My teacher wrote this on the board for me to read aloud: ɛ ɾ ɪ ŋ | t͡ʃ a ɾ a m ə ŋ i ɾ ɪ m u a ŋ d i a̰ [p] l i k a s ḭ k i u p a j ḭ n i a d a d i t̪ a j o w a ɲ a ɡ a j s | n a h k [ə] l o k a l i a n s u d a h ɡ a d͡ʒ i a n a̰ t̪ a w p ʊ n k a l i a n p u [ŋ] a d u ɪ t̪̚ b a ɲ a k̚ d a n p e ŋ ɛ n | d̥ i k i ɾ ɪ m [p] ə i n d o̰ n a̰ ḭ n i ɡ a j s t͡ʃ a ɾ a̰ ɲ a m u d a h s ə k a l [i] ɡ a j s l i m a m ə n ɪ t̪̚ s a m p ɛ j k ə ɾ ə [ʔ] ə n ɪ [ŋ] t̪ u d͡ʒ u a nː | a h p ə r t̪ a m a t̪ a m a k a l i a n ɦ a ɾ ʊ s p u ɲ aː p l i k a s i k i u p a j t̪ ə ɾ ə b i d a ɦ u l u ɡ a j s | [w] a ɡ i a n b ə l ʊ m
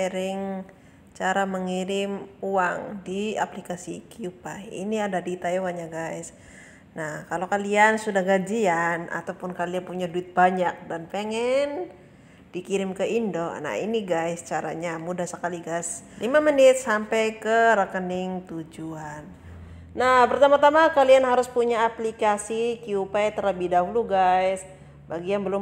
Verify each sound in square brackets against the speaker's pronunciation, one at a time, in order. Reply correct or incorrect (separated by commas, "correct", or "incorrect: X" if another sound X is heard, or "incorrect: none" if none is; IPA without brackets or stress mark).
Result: correct, incorrect: a, incorrect: ɲ, incorrect: k, correct, incorrect: k, correct, incorrect: b